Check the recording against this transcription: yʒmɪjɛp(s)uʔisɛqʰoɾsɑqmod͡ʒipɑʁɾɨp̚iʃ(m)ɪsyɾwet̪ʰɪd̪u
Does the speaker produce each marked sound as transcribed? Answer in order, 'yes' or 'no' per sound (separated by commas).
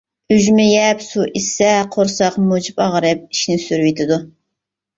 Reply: yes, no